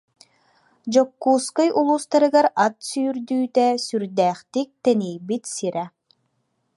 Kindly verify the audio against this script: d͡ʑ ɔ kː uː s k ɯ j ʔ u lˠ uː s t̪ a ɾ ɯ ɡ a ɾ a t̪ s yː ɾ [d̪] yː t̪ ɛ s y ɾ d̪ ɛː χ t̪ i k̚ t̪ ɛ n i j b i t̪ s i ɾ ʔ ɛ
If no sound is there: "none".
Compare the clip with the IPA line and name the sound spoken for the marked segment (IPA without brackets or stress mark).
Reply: d̪